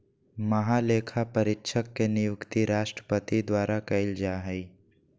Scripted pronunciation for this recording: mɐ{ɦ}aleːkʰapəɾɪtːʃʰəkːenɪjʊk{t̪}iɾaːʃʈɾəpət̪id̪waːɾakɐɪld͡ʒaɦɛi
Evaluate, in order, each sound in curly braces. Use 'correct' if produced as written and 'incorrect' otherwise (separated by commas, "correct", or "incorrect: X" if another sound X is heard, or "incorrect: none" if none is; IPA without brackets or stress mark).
correct, correct